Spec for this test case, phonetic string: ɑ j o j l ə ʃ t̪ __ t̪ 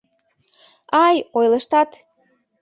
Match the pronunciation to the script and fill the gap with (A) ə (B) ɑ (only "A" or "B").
B